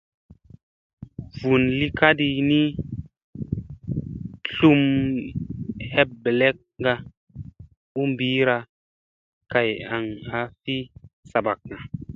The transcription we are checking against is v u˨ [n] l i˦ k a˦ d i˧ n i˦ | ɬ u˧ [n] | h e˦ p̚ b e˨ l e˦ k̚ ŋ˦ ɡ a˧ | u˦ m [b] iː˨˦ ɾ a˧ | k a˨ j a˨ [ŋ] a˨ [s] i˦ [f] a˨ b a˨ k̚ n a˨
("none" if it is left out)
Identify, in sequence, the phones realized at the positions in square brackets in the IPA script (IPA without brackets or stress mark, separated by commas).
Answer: n, m, b, ŋ, f, s